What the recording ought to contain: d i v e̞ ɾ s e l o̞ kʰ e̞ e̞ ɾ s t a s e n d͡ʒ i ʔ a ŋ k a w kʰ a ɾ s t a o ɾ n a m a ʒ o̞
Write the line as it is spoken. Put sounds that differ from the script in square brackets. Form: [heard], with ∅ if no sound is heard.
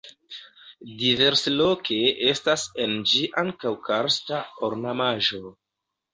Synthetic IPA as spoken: d i v e̞ ɾ s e l o̞ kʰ e̞ e̞ [∅] s t a s e n d͡ʒ i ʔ a ŋ k a w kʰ a ɾ s t a o ɾ n a m a ʒ o̞